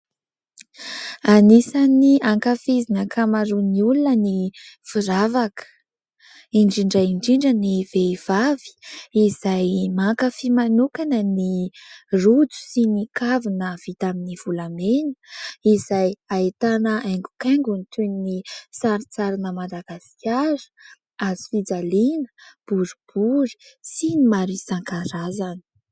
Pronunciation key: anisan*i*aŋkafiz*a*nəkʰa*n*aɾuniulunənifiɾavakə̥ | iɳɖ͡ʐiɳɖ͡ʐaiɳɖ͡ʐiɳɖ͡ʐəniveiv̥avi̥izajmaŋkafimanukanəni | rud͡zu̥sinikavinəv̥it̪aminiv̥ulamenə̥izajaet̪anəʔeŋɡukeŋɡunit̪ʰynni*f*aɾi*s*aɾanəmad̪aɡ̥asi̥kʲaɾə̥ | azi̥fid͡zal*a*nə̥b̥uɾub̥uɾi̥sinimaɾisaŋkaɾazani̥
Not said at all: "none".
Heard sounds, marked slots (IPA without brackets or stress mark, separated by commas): i, i, m, s, t͡s, i